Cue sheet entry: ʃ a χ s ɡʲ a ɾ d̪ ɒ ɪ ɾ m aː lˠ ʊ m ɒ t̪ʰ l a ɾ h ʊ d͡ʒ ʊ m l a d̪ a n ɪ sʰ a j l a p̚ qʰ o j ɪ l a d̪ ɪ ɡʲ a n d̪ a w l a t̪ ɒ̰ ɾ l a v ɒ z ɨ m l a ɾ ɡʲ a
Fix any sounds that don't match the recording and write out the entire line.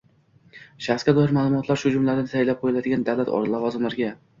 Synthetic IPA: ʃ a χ s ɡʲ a d̪ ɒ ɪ ɾ m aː lˠ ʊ m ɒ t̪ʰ l a ɾ ʃ ʊ d͡ʒ ʊ m l a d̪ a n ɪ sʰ a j l a p̚ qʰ o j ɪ l a d̪ ɪ ɡʲ a n d̪ a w l a t̪ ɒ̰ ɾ l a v ɒ z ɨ m l a ɾ ɡʲ a